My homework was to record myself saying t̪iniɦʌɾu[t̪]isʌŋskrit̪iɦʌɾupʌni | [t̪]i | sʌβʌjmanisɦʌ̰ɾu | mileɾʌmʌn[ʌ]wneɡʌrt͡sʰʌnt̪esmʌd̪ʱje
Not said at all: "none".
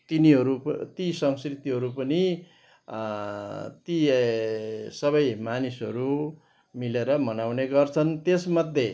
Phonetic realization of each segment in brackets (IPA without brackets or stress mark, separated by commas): t̪, t̪, a